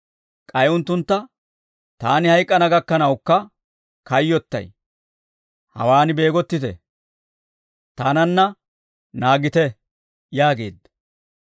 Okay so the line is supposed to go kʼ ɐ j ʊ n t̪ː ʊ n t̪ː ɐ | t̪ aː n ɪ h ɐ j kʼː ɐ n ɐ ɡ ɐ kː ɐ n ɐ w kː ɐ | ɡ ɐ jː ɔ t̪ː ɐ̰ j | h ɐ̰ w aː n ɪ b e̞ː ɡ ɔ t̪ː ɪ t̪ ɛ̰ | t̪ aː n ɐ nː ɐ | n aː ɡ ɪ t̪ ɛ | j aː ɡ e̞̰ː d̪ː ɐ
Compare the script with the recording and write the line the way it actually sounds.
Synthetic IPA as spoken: kʼ ɐ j ʊ n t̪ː ʊ n t̪ː ɐ | t̪ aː n ɪ h ɐ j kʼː ɐ n ɐ ɡ ɐ kː ɐ n ɐ w kː ɐ | k ɐ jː ɔ t̪ː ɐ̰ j | h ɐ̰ w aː n ɪ b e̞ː ɡ ɔ t̪ː ɪ t̪ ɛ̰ | t̪ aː n ɐ nː ɐ | n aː ɡ ɪ t̪ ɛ | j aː ɡ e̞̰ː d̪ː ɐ